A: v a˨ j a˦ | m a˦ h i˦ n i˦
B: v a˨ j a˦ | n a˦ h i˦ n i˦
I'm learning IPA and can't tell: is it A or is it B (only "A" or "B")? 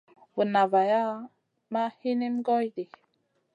A